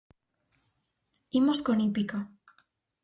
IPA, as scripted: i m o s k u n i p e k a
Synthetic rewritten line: i m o s k o n i p i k a

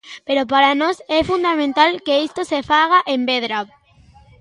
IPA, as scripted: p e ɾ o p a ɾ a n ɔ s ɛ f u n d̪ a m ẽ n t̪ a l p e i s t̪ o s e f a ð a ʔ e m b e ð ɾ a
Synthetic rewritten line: p e ɾ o p a ɾ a n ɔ s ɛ f u n d̪ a m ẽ n t̪ a l k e i s t̪ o s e f a ɣ a ʔ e m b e ð ɾ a

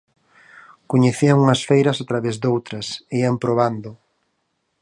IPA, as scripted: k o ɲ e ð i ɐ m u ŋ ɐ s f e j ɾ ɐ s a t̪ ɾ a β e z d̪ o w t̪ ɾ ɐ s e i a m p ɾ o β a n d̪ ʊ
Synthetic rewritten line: k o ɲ e θ i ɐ ŋ u ŋ ɐ s f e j ɾ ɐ s a t̪ ɾ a β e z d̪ o w t̪ ɾ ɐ s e i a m p ɾ o β a n d̪ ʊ

